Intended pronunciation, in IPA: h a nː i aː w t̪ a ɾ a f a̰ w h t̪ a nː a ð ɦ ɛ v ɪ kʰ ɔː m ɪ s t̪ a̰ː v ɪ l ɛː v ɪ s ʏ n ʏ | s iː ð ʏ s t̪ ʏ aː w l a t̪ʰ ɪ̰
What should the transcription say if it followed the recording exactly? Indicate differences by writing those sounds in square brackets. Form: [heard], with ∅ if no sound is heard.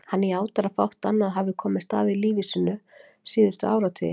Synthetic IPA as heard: h a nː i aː w t̪ a ɾ a f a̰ w h t̪ a nː a ð ɦ [a] v ɪ kʰ ɔː m ɪ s t̪ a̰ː [ð] ɪ l [iː] v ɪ s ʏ n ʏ | s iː ð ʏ s t̪ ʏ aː w [ɾ] a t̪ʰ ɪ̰